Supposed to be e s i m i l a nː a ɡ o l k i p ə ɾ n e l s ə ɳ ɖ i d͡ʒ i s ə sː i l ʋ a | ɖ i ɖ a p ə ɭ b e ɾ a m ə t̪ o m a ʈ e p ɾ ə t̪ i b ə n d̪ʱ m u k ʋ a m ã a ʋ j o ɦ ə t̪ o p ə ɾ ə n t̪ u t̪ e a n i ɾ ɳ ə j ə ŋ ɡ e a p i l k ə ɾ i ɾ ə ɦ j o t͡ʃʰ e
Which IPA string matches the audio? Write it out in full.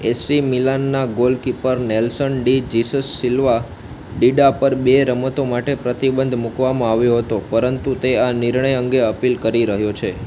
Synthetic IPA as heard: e s i m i l a nː a ɡ o l k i p ə ɾ n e l s ə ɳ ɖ i d͡ʒ i s ə sː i l ʋ a | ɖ i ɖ a p ə ɾ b e ɾ ə m ə t̪ o m a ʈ e p ɾ ə t̪ i b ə n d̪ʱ m u k ʋ a m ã a ʋ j o ɦ ə t̪ o p ə ɾ ə n t̪ u t̪ e a n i ɾ ɳ ə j ə ŋ ɡ e ə p i l k ə ɾ i ɾ ə ɦ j o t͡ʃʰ e